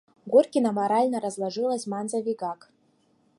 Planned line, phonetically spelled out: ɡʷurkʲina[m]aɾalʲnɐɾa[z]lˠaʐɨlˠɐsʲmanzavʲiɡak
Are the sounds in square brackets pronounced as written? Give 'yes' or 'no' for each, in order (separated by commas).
yes, yes